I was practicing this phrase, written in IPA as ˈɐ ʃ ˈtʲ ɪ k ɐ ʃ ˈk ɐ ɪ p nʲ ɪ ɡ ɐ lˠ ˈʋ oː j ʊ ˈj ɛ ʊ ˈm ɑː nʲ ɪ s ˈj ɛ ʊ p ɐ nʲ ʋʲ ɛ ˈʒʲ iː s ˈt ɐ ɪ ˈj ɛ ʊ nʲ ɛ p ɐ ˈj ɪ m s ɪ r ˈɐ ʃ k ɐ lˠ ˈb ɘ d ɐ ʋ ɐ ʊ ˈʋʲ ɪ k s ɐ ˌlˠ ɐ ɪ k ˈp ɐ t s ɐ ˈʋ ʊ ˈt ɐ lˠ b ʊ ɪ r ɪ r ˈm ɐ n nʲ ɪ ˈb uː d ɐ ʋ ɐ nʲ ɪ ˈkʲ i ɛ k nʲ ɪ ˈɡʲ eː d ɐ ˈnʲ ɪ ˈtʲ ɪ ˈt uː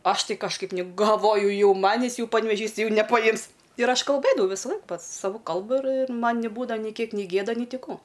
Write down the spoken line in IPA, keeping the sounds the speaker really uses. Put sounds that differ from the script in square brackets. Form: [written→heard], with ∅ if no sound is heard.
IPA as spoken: ˈɐ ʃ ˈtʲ ɪ k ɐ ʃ ˈk ɐ ɪ p nʲ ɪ ɡ ɐ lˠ ˈʋ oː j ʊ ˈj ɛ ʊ ˈm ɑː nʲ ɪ s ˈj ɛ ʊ p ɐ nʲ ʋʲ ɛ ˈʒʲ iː s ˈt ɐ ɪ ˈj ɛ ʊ nʲ ɛ p ɐ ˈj ɪ m s ɪ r ˈɐ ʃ k ɐ lˠ ˈb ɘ d ɐ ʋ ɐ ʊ ˈʋʲ ɪ [k→∅] s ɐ ˌlˠ ɐ ɪ k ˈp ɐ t s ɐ ˈʋ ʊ [ˈt→ˈk] ɐ lˠ b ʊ ɪ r ɪ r ˈm ɐ n nʲ ɪ ˈb uː d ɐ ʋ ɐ nʲ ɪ ˈkʲ i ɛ k nʲ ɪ ˈɡʲ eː d ɐ ˈnʲ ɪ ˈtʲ ɪ [ˈt→ˈk] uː